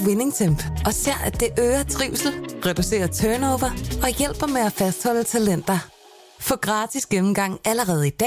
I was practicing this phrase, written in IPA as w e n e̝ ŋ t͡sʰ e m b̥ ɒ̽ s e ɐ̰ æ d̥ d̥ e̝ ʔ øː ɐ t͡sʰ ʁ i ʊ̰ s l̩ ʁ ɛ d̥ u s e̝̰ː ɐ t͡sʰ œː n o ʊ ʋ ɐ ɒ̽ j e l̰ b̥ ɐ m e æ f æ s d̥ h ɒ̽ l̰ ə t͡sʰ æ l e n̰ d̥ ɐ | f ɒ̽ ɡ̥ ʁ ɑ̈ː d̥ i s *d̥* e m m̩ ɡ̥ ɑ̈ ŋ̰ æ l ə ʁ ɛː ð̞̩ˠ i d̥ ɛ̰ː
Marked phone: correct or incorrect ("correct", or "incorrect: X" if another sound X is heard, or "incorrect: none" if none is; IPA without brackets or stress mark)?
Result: incorrect: ɡ̥